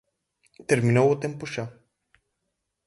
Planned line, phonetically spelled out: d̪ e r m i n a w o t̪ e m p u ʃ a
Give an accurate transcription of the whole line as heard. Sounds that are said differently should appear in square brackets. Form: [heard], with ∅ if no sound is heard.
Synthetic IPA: [t̪] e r m i n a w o t̪ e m p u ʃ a

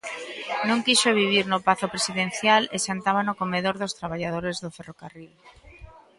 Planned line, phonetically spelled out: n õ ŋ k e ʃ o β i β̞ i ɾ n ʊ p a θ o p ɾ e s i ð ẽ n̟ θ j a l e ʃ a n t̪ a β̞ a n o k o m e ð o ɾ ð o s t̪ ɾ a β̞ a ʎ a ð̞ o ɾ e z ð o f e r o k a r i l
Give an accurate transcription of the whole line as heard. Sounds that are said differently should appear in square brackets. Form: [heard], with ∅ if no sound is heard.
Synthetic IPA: n õ ŋ k [i] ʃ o β i β̞ i ɾ n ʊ p a θ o p ɾ e s i ð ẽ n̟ θ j a l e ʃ a n t̪ a β̞ a n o k o m e ð o ɾ ð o s t̪ ɾ a β̞ a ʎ a ð̞ o ɾ e z ð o f e r o k a r i l

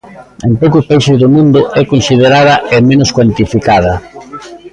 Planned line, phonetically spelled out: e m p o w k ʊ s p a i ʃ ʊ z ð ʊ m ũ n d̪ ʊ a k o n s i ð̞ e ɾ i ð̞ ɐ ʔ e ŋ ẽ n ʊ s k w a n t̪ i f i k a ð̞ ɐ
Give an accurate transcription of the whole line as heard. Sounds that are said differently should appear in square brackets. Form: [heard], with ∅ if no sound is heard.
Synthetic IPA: e m p o w k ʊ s p a i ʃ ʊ z ð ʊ m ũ n d̪ ʊ [ɛ] k o n s i ð̞ e ɾ [a] ð̞ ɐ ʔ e [m] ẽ n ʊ s k w a n t̪ i f i k a ð̞ ɐ

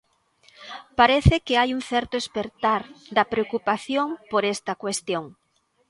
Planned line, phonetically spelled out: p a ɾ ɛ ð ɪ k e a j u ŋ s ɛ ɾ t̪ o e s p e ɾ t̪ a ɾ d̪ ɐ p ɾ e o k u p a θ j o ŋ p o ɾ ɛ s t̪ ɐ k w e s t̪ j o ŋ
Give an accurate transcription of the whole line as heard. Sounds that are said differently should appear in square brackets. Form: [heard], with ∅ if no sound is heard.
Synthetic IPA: p a ɾ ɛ [θ] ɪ k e a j u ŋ [θ] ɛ ɾ t̪ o e s p e ɾ t̪ a ɾ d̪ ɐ p ɾ e o k u p a θ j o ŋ p o ɾ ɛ s t̪ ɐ k w e s t̪ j o ŋ

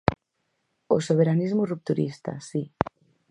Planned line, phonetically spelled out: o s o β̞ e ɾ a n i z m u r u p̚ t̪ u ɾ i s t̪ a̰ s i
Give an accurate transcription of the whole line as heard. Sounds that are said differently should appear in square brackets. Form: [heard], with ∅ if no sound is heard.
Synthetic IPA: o s o β̞ e ɾ a n i z m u r u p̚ t̪ u ɾ i s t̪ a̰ s i

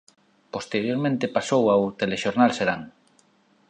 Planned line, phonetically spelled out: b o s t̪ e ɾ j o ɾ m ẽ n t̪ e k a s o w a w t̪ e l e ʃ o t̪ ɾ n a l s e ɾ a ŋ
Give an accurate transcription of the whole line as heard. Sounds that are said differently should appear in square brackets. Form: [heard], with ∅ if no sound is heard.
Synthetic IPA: [p] o s t̪ e ɾ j o ɾ m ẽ n t̪ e [p] a s o w a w t̪ e l e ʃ o [∅] ɾ n a l s e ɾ a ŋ

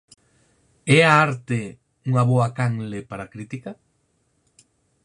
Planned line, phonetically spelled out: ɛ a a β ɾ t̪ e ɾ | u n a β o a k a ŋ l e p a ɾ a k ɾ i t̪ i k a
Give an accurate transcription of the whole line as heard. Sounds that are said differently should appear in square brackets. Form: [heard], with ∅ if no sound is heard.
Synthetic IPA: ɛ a a [∅] ɾ t̪ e [∅] | u [ŋ] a β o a k a ŋ l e p a ɾ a k ɾ i t̪ i k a

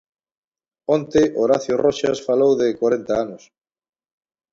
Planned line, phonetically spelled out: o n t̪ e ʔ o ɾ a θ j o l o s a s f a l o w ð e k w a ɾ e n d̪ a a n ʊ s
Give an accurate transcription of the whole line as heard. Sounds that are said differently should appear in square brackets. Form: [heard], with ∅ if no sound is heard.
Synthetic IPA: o n t̪ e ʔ o ɾ a θ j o [r] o [ʃ] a s f a l o w ð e k w a ɾ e n [t̪] a a n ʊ s

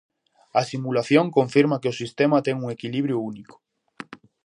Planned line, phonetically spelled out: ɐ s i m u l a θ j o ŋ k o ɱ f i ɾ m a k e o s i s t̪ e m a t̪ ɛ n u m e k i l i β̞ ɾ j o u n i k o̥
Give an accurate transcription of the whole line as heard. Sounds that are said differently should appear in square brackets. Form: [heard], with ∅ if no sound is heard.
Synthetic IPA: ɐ s i m u l a θ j o ŋ k o ɱ f i ɾ m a k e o s i s t̪ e m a t̪ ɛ [ŋ] u [ŋ] e k i l i β̞ ɾ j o u n i k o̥

